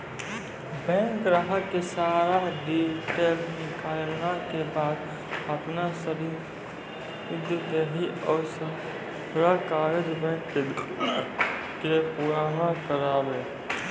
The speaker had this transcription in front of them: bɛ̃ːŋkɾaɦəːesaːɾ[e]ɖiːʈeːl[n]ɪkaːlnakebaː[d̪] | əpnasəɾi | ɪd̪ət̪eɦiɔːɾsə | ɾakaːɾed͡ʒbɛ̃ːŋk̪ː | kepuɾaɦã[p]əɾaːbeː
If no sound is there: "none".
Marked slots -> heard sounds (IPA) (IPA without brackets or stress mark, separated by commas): a, n, d̪, k